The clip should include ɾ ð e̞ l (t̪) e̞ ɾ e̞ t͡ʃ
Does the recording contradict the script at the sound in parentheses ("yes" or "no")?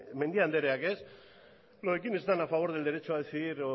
yes